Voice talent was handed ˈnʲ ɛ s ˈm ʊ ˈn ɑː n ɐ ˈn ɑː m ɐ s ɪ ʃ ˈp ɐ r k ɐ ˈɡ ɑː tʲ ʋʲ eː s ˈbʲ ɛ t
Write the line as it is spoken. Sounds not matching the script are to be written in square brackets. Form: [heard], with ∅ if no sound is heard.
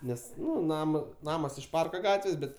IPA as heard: ˈnʲ ɛ s [ˈn] ʊ ˈn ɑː [m] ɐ ˈn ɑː m ɐ s ɪ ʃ ˈp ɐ r k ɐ ˈɡ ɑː tʲ ʋʲ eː s ˈbʲ ɛ t